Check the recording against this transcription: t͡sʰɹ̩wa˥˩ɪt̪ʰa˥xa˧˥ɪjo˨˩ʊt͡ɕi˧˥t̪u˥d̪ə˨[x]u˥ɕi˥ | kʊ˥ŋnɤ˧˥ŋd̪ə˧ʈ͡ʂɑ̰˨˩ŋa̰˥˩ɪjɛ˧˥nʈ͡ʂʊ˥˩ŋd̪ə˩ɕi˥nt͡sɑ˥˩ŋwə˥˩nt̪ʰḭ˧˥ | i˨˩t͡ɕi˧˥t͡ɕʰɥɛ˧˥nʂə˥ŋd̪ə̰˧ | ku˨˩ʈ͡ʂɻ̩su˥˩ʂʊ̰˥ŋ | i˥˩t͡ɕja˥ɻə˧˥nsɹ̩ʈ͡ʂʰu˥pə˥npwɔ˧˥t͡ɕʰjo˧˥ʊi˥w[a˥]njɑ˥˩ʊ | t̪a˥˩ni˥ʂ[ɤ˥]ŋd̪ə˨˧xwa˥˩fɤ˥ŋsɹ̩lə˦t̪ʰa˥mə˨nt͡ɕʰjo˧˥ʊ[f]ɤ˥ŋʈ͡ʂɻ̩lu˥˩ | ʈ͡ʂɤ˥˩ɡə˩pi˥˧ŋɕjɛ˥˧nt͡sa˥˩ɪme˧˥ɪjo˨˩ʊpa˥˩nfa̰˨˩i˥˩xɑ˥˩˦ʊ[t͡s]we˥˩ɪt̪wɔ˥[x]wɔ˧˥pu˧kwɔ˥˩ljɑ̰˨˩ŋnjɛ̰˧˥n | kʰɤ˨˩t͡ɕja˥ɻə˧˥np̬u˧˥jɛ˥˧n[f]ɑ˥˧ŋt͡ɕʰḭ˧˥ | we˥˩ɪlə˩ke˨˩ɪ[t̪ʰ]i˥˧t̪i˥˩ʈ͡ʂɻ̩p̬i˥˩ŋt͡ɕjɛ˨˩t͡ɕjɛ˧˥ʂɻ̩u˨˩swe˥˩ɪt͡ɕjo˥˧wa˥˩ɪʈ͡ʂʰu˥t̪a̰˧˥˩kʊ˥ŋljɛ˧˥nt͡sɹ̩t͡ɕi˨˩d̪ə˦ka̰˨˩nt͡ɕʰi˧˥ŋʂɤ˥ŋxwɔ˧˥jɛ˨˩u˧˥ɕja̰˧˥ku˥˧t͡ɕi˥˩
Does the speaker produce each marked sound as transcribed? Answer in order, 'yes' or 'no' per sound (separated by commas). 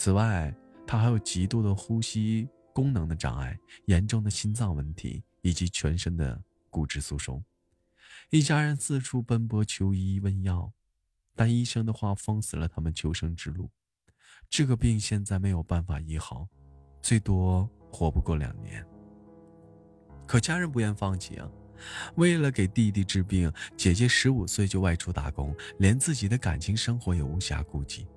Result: yes, no, yes, no, yes, yes, yes, no